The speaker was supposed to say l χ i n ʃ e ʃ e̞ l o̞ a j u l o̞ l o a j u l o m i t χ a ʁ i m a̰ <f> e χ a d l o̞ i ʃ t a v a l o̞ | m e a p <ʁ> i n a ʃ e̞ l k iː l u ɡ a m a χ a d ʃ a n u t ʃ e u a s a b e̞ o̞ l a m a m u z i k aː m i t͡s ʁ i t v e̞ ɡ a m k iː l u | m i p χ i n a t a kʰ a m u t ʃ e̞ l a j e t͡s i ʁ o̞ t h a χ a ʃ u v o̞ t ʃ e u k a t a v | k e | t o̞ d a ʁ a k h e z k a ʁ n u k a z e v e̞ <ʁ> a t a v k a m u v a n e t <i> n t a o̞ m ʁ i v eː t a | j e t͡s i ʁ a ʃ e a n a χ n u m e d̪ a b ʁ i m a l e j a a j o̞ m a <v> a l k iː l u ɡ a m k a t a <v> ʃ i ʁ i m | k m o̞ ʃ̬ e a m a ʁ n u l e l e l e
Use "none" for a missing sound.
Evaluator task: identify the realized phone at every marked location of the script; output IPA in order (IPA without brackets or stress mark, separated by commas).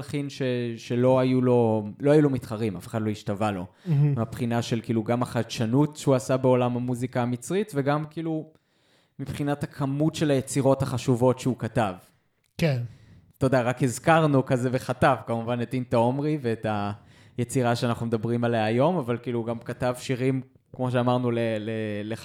f, χ, χ, i, v, v